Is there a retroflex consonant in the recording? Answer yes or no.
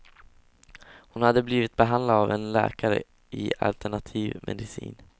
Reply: yes